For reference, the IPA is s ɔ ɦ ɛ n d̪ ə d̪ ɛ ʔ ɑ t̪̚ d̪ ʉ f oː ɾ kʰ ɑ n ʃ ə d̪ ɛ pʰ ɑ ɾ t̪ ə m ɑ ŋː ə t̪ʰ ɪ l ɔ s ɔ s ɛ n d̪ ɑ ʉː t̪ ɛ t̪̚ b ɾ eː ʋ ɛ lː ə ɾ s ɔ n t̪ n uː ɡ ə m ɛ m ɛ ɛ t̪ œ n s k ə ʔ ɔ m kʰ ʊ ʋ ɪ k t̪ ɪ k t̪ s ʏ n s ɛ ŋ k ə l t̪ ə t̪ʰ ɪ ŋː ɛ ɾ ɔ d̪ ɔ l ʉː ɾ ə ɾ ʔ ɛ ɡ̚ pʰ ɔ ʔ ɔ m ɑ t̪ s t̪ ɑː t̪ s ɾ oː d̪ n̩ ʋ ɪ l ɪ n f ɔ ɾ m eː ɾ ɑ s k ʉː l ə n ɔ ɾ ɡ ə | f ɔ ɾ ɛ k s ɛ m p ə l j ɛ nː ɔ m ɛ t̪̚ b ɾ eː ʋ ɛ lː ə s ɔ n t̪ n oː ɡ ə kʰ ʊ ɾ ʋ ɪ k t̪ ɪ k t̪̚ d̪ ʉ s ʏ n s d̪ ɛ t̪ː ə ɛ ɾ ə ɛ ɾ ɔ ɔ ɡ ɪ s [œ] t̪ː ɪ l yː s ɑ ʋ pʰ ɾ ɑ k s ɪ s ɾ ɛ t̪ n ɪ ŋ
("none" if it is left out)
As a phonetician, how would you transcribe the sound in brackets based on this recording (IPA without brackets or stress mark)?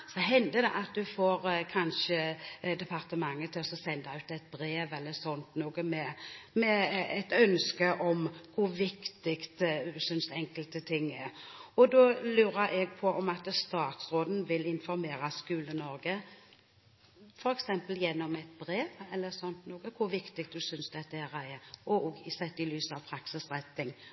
ɛ